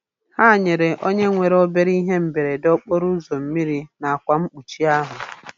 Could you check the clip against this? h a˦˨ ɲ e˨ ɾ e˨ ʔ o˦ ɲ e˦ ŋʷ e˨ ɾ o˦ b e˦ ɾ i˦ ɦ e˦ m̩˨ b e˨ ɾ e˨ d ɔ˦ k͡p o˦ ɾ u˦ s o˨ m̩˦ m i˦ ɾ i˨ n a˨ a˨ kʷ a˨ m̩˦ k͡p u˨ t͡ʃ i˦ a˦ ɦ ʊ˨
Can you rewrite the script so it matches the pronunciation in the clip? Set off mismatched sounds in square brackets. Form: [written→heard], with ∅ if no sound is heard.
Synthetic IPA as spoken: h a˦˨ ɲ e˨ ɾ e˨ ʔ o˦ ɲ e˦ ŋʷ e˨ ɾ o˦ b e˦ ɾ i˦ ɦ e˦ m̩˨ b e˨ ɾ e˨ d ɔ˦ k͡p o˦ ɾ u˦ [s→z] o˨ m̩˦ m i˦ ɾ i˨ n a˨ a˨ kʷ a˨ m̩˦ k͡p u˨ t͡ʃ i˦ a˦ ɦ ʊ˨

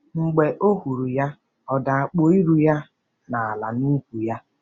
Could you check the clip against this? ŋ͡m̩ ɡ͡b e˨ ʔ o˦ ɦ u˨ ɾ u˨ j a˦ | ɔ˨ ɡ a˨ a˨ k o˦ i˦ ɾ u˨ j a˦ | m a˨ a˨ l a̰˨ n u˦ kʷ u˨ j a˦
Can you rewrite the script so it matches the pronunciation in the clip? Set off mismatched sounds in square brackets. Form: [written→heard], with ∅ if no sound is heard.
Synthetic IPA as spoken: ŋ͡m̩ ɡ͡b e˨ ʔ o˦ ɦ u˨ ɾ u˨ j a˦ | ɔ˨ [ɡ→d] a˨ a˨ [k→k͡p] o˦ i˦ ɾ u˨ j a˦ | [m→n] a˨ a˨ l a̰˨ n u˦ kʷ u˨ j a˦

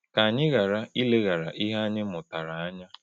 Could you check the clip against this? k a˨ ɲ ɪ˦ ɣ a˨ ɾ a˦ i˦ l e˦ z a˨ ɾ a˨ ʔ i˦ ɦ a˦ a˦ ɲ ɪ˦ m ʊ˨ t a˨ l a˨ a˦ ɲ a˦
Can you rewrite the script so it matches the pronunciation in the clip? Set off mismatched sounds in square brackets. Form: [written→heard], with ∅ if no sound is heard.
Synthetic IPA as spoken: k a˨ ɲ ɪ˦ ɣ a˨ ɾ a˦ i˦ l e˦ [z→ɣ] a˨ ɾ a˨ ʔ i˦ ɦ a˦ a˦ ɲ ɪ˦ m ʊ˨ t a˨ [l→ɾ] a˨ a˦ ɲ a˦

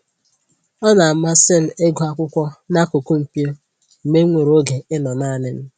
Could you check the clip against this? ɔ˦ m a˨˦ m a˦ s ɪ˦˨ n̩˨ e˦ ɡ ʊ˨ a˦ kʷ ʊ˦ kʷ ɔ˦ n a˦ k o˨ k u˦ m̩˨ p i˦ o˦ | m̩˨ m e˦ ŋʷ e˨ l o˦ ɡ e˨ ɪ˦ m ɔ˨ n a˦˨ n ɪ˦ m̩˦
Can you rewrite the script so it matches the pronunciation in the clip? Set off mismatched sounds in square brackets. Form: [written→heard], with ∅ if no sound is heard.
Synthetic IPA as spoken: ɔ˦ [m→n] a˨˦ m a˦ s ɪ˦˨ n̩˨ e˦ ɡ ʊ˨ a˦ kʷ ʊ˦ kʷ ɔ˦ n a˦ k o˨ k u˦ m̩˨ p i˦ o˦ | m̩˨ m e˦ ŋʷ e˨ [l→ɾ] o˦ ɡ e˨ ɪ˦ [m→n] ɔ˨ n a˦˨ n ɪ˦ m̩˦

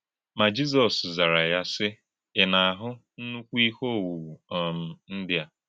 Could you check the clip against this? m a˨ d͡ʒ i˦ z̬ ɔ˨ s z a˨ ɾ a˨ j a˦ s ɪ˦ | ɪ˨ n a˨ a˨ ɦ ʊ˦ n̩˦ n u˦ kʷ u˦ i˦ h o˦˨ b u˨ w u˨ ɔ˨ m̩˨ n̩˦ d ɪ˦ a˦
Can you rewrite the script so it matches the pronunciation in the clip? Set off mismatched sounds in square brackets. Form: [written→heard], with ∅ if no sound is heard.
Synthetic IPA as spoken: m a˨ d͡ʒ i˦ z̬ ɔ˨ s z a˨ ɾ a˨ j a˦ s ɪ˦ | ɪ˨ n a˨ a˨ ɦ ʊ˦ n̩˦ n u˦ kʷ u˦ i˦ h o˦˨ [b→w] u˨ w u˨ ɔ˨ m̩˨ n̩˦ d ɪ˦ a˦

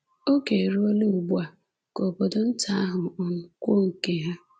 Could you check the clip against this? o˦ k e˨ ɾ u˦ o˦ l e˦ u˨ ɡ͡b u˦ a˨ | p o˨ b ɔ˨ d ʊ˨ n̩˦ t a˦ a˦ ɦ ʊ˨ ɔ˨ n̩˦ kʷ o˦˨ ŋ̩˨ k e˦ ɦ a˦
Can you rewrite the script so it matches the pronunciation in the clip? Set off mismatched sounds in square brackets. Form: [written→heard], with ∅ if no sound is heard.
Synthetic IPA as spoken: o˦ k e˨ ɾ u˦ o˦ l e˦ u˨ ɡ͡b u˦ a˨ | [p→k] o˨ b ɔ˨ d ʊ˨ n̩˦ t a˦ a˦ ɦ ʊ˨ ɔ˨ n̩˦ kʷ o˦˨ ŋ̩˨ k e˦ ɦ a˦

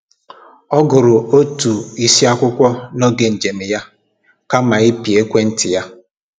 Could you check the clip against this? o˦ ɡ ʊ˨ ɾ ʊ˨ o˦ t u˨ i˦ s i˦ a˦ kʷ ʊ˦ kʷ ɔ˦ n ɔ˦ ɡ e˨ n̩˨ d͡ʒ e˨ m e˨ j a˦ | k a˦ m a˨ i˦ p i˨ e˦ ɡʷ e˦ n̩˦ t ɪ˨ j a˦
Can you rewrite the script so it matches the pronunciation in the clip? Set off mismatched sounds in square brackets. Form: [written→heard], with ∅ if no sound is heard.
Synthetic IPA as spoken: [o˦→ɔ˦] ɡ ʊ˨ ɾ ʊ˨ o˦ t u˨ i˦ s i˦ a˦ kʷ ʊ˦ kʷ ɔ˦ n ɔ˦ ɡ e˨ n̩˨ d͡ʒ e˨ m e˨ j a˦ | k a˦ m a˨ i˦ p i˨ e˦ [ɡʷ→kʷ] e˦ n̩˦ t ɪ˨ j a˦

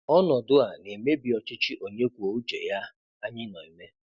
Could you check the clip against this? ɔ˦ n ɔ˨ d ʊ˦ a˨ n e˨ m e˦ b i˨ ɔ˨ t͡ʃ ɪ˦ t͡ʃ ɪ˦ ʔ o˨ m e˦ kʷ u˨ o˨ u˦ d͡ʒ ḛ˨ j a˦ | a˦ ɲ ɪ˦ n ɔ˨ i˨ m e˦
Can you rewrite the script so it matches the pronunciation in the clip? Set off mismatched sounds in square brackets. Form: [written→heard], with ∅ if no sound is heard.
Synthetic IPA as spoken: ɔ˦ n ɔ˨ d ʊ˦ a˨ n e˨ m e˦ b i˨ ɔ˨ t͡ʃ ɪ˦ t͡ʃ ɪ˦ ʔ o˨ [m→ɲ] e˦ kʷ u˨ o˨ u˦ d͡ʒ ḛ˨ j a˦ | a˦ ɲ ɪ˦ n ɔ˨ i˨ m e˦

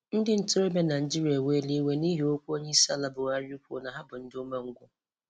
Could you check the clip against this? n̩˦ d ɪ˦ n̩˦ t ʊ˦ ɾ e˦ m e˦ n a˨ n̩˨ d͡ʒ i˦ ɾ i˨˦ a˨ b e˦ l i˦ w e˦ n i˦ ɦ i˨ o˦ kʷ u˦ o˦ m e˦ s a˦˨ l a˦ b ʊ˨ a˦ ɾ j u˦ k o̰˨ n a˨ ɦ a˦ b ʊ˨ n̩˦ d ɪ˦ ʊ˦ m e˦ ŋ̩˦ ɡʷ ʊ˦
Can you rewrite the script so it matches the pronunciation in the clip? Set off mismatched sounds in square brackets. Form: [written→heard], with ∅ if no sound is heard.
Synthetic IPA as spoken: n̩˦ d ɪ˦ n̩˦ t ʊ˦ ɾ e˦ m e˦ n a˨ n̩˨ d͡ʒ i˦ ɾ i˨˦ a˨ [b→w] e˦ l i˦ w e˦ n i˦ ɦ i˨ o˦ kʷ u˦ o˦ [m→ɲ] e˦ s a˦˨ l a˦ b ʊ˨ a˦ ɾ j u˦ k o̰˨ n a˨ ɦ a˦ b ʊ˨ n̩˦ d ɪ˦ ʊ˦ m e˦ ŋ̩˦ ɡʷ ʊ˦

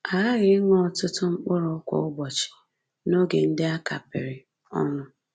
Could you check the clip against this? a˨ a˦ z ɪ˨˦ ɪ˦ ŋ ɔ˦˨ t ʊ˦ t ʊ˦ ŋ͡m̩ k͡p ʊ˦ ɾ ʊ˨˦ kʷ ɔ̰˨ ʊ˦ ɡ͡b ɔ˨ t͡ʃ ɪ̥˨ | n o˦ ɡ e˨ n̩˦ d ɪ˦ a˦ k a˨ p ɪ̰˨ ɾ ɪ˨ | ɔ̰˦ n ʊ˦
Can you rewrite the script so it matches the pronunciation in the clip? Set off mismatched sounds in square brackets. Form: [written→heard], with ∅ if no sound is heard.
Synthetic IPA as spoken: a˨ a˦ [z→ɣ] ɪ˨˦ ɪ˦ ŋ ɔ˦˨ t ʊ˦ t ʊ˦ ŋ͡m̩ k͡p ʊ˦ ɾ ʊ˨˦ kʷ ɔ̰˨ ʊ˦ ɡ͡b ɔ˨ t͡ʃ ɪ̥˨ | n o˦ ɡ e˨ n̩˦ d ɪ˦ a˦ k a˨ p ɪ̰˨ ɾ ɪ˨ | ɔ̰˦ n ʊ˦

